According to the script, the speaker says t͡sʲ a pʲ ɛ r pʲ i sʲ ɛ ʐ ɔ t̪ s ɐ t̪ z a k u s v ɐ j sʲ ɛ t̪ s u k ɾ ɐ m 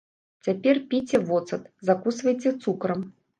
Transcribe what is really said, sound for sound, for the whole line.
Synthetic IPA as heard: t͡sʲ a pʲ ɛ r pʲ i t͡sʲ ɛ v ɔ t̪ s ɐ t̪ z a k u s v ɐ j t͡sʲ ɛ t̪ s u k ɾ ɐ m